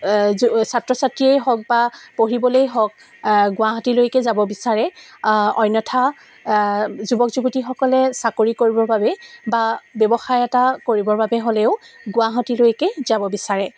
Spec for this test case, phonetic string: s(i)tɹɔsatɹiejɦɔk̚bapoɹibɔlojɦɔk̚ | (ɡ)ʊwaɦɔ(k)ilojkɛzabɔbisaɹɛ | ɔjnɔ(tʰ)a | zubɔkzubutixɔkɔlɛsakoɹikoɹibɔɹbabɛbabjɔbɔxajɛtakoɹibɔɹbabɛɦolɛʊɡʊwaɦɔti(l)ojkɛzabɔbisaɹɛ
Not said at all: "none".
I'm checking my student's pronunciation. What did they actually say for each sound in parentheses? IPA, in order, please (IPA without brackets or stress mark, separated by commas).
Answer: a, ɡ, t, tʰ, l